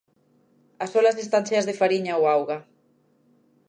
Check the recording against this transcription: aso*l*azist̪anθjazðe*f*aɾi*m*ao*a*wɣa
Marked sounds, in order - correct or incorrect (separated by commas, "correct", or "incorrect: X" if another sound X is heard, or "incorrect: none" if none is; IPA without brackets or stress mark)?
correct, correct, incorrect: ɲ, correct